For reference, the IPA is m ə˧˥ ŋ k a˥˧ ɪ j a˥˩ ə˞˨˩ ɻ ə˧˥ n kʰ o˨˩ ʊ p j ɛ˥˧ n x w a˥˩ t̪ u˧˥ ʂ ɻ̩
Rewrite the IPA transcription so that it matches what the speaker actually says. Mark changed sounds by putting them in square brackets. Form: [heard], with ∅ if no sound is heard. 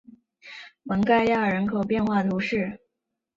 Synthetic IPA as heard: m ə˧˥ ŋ k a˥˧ ɪ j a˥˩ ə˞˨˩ ɻ ə˧˥ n kʰ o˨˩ ʊ p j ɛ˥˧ n x w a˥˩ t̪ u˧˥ ʂ ɻ̩